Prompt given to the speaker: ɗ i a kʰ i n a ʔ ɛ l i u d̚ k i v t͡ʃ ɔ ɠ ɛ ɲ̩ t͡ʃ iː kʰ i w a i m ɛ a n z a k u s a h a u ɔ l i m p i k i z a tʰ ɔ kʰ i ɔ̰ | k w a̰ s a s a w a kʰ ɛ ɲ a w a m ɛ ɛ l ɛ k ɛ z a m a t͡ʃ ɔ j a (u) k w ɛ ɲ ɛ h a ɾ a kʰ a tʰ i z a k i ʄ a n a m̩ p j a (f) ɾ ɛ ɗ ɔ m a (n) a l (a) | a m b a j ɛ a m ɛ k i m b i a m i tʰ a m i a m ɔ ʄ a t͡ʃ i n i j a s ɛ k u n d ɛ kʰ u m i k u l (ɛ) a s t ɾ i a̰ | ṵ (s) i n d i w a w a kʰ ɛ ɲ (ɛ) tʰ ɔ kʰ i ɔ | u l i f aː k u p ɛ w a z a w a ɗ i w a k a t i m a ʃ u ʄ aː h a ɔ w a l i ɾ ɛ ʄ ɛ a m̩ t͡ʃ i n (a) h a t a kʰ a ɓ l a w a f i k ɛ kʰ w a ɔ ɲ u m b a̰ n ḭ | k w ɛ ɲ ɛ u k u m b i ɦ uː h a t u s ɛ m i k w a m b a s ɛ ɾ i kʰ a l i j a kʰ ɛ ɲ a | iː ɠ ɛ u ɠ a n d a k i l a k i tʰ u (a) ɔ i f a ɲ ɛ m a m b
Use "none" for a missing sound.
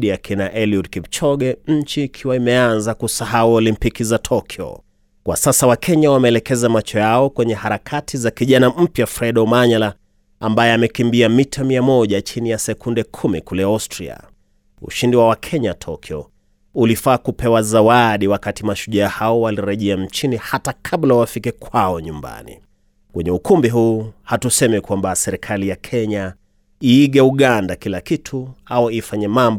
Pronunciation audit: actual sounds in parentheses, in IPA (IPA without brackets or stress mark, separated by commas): ɔ, f, ɲ, a, ɛ, ʃ, a, i, a